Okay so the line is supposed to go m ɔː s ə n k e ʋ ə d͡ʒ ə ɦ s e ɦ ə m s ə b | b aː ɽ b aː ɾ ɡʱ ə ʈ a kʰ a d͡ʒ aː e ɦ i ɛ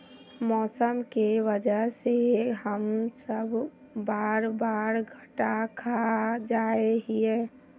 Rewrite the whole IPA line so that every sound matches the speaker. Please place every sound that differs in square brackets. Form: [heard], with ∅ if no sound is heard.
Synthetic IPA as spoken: m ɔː s ə [m] k e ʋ ə d͡ʒ ə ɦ s e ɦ ə m s ə b | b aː [ɾ] b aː ɾ ɡʱ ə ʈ a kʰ a d͡ʒ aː e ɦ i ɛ